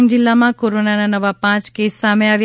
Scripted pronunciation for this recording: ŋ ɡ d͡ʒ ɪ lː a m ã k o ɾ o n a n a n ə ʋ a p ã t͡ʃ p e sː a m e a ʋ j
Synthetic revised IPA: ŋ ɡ d͡ʒ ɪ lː a m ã k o ɾ o n a n a n ə ʋ a p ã t͡ʃ k e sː a m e a ʋ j